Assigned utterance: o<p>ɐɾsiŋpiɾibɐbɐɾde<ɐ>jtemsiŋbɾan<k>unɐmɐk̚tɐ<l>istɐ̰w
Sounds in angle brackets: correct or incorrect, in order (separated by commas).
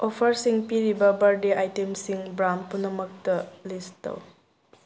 incorrect, incorrect, incorrect, correct